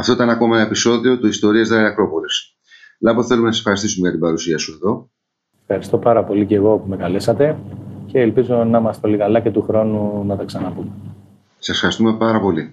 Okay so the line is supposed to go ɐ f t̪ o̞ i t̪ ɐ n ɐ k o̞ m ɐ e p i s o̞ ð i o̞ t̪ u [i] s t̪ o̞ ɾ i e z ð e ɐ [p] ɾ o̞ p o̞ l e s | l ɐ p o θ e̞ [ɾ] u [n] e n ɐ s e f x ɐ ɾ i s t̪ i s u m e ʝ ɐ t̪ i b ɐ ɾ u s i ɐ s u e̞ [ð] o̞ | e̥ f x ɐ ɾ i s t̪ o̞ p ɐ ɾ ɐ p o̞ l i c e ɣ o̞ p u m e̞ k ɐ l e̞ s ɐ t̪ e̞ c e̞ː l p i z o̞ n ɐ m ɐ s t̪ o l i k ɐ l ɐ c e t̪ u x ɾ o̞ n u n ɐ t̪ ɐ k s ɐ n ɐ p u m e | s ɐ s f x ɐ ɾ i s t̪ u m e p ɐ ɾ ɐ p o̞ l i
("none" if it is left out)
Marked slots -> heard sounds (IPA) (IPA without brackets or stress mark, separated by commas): i, k, l, m, ð